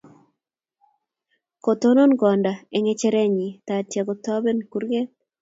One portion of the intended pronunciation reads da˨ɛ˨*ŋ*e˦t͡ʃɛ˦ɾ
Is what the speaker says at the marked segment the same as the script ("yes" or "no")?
yes